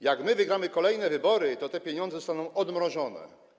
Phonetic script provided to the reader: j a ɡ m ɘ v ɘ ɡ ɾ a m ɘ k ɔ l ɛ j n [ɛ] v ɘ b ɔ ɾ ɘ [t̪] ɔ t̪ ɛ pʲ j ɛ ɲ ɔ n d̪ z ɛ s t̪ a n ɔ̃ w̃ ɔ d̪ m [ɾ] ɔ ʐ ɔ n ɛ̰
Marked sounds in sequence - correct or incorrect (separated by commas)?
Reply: correct, correct, correct